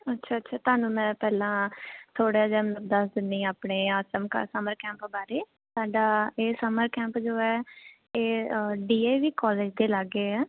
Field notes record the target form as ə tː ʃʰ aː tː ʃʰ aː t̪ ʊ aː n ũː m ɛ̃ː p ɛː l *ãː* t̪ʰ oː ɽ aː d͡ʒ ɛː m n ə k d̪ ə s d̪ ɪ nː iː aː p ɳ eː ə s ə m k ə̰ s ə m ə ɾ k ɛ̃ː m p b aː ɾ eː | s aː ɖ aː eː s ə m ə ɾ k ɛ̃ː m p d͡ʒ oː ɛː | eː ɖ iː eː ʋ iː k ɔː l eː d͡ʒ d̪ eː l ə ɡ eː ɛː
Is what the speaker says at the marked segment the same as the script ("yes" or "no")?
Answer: yes